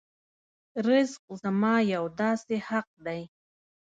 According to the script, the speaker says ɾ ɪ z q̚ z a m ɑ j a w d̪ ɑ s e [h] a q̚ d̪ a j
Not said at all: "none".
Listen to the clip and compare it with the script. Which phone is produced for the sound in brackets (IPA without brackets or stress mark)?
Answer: h